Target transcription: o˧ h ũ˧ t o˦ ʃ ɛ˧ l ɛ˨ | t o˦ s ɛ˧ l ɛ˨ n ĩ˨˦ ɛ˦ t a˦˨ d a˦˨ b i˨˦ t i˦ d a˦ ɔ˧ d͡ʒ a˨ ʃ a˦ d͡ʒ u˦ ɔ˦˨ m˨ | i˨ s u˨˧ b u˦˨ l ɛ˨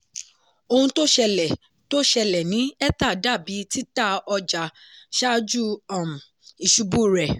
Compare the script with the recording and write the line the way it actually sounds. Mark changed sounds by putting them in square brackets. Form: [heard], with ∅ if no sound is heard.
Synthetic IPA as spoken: o˧ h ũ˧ t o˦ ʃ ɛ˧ l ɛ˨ | t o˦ [ʃ] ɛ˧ l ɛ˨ n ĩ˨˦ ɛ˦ t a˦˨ d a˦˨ b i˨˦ t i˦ [t] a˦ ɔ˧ d͡ʒ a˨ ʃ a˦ d͡ʒ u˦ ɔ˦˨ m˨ | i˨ [ʃ] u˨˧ b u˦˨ [ɾ] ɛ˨